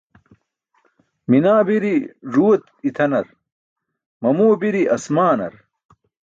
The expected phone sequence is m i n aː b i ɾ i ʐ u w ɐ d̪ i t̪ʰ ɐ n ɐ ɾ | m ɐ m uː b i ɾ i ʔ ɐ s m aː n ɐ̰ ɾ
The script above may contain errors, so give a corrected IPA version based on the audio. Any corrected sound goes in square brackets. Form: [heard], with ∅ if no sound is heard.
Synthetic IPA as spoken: m i n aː b i ɾ i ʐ u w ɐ [t̪] i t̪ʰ ɐ n ɐ ɾ | m ɐ m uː b i ɾ i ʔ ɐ s m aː n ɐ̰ ɾ